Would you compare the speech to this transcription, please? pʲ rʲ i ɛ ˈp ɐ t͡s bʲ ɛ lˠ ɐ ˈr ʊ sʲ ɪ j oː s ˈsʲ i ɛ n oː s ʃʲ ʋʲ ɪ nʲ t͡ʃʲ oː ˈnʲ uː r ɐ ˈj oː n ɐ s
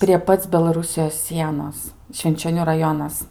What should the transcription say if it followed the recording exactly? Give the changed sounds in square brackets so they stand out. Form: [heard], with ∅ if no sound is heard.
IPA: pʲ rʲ i ɛ ˈp ɐ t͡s bʲ ɛ lˠ ɐ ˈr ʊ sʲ ɪ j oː s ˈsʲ i ɛ n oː s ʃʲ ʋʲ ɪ nʲ t͡ʃʲ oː ˈnʲ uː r ɐ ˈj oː n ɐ s